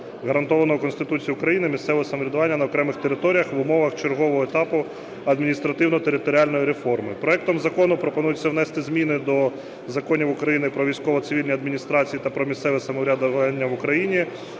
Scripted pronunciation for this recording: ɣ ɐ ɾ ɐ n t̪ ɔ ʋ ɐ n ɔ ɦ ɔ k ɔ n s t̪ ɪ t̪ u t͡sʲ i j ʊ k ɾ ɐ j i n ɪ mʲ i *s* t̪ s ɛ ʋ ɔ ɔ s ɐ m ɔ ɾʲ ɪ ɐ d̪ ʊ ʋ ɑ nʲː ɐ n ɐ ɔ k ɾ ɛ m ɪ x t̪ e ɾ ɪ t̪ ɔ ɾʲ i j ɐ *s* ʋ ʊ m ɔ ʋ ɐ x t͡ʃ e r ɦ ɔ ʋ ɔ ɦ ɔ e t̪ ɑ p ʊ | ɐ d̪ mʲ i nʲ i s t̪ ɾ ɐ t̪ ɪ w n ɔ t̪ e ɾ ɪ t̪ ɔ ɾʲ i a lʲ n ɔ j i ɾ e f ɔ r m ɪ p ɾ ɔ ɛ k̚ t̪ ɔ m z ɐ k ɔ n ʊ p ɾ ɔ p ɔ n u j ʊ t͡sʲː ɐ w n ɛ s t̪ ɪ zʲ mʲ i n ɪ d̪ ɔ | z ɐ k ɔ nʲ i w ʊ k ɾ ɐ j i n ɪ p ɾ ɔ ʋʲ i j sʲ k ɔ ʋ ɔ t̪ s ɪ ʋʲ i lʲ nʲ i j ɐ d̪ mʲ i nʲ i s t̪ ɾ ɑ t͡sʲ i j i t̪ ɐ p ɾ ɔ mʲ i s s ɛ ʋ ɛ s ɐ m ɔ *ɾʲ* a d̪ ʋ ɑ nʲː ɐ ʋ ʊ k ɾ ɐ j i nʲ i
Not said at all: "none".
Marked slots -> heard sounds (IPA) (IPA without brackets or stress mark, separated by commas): s, x, ɾʲ